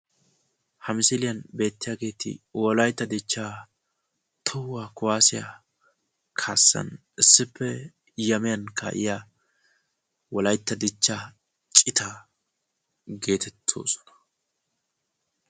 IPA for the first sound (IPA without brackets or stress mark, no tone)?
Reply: h